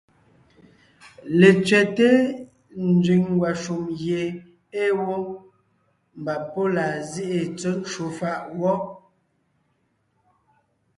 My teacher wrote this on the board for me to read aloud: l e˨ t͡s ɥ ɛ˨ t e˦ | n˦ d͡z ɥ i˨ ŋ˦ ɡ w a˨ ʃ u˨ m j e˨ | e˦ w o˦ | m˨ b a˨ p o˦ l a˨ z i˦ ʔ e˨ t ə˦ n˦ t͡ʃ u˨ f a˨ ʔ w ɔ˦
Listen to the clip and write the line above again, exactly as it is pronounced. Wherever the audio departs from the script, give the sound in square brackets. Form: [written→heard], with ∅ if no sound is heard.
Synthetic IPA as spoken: l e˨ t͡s ɥ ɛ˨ t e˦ | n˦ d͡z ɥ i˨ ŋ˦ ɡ w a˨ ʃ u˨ m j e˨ | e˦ w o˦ | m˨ b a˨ p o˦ l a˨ z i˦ ʔ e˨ [t→t͡s] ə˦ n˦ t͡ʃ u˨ f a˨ ʔ w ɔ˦